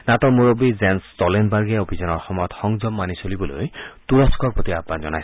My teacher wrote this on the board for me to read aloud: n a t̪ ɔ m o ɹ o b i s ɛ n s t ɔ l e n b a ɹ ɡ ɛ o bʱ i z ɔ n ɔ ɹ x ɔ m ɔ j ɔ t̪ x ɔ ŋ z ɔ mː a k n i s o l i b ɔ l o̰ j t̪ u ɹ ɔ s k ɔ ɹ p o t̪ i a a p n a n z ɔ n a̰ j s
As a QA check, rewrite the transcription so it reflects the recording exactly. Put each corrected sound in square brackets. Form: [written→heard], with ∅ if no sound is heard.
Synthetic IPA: n a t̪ ɔ m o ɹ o b i [s→z] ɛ n s t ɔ l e n b a ɹ ɡ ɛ o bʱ i z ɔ n ɔ ɹ x ɔ m ɔ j ɔ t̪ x ɔ ŋ z ɔ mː a [k→∅] n i s o l i b ɔ l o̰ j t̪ u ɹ ɔ s k ɔ ɹ p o t̪ i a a p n a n z ɔ n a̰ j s